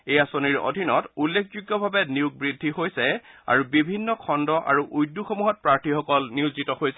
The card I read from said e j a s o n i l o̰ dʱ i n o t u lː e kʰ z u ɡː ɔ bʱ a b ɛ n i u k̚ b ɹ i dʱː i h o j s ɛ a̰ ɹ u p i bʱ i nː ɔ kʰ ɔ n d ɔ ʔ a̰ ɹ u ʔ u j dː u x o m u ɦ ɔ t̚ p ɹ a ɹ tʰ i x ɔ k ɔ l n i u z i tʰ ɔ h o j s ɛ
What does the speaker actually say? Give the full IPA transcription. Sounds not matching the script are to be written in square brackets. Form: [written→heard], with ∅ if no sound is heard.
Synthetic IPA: e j a s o n i [l→ɹ] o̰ dʱ i n [o→ɔ] t u lː e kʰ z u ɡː ɔ bʱ a b ɛ n i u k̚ b ɹ i dʱː i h o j s ɛ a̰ ɹ u [p→b] i bʱ i nː ɔ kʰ ɔ n d ɔ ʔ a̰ ɹ u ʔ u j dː u x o m u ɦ ɔ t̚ p ɹ a ɹ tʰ i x ɔ k ɔ l n i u z i [tʰ→t] ɔ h o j s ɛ